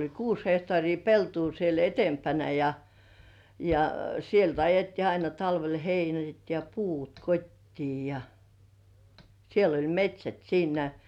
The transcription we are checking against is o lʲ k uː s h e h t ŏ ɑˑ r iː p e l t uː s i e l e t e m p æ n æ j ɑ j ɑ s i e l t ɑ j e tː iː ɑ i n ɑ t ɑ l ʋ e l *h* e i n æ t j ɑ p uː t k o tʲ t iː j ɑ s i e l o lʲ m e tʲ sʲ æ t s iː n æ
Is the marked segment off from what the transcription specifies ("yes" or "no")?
no